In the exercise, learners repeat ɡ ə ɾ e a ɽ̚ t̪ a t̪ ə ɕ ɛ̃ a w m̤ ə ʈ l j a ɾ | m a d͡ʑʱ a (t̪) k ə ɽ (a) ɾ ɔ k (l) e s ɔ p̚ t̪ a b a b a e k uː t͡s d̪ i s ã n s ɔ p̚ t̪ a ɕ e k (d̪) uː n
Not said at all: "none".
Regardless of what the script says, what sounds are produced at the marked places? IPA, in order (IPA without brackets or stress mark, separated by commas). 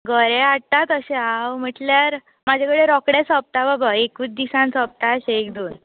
none, e, ɽ, d̪